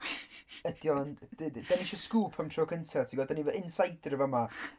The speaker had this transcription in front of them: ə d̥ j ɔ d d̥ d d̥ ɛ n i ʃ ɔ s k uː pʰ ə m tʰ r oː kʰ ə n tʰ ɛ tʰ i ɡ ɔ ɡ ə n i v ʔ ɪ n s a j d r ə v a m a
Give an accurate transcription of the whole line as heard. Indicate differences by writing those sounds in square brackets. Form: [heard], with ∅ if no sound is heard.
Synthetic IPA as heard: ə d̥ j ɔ [n] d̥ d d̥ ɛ n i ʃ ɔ s k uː pʰ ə m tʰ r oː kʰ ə n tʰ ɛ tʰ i ɡ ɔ [d] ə n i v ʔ ɪ n s a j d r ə v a m a